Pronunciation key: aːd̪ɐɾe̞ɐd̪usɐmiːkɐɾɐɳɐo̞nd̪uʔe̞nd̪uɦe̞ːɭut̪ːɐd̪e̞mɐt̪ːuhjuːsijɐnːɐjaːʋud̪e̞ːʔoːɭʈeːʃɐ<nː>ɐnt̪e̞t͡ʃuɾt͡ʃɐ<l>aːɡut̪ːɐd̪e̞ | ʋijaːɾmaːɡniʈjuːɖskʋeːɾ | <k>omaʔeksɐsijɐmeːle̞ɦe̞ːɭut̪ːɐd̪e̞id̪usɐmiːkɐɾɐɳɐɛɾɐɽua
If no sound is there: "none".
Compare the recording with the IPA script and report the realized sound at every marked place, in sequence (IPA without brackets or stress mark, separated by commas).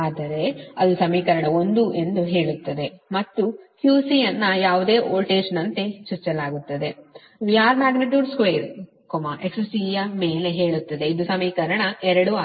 n, l, k